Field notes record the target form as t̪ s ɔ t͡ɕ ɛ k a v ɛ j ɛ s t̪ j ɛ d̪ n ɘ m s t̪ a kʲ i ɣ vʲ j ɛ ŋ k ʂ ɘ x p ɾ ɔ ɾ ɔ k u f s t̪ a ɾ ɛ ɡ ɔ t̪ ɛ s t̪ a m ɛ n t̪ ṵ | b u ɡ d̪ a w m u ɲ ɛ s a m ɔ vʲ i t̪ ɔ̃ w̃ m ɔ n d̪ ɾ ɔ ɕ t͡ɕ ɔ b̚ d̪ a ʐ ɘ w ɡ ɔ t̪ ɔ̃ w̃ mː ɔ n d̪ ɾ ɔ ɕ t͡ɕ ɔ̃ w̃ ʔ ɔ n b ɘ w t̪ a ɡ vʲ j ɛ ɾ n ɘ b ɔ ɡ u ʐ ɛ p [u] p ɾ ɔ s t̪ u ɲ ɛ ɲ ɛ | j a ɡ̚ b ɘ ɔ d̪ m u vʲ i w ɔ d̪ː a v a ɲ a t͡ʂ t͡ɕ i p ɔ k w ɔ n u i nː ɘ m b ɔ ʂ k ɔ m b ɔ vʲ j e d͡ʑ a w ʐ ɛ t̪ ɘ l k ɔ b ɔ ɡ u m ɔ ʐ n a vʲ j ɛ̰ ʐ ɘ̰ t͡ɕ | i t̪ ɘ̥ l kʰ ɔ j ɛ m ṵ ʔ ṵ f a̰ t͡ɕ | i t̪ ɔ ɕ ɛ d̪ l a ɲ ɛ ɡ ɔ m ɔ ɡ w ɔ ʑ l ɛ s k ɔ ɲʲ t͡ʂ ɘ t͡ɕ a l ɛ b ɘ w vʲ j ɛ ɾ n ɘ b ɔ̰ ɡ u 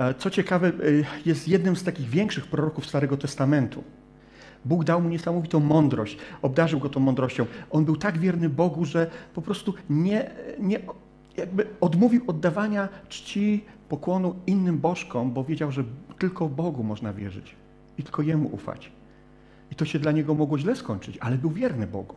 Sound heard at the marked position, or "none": ɔ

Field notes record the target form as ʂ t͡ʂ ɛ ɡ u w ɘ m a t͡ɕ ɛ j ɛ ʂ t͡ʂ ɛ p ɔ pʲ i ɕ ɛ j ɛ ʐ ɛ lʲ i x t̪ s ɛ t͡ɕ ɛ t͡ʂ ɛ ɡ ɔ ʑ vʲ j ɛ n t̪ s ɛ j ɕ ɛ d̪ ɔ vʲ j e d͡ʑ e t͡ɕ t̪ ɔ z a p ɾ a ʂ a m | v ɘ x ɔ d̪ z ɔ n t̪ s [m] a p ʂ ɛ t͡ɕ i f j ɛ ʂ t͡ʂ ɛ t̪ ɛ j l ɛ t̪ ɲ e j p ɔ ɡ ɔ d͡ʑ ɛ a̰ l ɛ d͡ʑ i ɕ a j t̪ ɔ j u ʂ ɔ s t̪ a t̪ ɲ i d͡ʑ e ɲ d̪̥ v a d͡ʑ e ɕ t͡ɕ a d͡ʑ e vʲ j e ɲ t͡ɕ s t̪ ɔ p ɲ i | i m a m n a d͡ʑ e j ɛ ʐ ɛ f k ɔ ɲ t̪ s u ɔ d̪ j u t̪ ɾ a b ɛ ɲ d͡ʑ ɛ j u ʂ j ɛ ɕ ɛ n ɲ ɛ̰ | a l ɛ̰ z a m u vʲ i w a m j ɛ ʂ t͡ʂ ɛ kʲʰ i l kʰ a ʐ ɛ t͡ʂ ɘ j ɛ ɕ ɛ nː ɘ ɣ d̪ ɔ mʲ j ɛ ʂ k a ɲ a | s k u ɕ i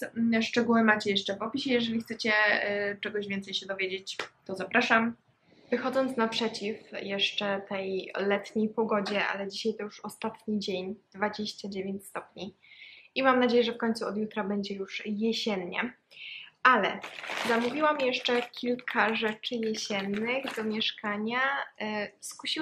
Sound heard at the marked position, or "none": n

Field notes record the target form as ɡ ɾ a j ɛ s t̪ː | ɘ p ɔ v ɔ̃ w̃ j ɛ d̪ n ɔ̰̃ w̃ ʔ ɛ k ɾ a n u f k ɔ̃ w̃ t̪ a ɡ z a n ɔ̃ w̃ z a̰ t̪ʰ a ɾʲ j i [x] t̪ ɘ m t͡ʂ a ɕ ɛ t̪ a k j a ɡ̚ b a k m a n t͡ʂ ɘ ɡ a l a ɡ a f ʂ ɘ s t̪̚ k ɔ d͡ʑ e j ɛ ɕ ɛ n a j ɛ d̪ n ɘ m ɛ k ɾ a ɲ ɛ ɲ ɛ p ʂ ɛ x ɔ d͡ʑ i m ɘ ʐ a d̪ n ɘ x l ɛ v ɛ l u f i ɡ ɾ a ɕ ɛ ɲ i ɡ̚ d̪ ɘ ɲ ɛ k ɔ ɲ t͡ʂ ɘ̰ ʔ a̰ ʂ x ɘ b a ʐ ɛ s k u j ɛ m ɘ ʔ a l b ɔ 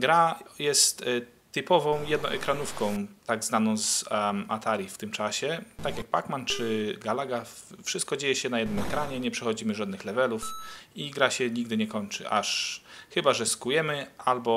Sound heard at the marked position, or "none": f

